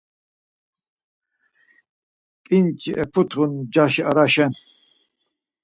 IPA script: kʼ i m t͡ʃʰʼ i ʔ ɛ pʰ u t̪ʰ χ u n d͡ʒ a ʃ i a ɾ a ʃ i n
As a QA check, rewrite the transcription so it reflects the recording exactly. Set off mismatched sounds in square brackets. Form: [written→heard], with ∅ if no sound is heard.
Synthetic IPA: kʼ i [m→n] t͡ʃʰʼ i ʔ ɛ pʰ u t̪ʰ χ u n d͡ʒ a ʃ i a ɾ a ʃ [i→ɛ] n